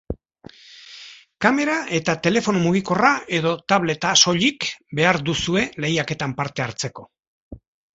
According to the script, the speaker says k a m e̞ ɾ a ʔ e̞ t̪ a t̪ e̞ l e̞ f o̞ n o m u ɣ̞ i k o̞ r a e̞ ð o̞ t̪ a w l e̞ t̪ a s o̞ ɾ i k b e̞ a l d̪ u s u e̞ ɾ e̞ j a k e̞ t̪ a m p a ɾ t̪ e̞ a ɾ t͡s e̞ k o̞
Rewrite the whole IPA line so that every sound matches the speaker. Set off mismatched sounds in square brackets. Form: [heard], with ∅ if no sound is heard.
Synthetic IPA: k a m e̞ ɾ a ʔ e̞ t̪ a t̪ e̞ l e̞ f o̞ n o m u ɣ̞ i k o̞ r a e̞ ð o̞ t̪ a [β] l e̞ t̪ a s o̞ [ʎ] i k b e̞ a [ɾ] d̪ u s u e̞ [l] e̞ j a k e̞ t̪ a m p a ɾ t̪ e̞ a ɾ t͡s e̞ k o̞